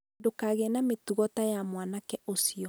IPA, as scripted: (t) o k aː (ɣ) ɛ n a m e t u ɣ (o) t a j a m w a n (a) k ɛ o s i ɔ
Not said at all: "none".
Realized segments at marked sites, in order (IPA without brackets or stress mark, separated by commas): d, ɣ, ɔ, a